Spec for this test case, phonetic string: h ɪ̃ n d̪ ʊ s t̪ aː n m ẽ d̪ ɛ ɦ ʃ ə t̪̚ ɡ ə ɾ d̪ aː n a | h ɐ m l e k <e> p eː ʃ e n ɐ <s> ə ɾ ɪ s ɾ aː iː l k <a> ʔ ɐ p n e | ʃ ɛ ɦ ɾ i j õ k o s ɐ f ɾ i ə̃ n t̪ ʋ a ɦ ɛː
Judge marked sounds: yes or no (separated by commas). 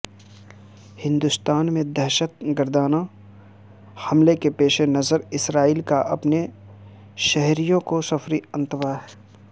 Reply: yes, no, yes